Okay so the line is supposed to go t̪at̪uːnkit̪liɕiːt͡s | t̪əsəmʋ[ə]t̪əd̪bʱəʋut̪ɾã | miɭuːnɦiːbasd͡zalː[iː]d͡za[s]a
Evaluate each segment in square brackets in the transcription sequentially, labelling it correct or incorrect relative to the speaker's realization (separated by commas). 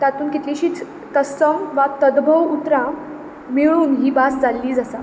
incorrect, correct, correct